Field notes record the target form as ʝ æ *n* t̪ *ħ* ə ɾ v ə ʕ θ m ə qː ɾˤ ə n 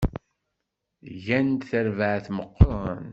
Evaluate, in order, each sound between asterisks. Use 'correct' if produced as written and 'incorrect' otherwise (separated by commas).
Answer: correct, incorrect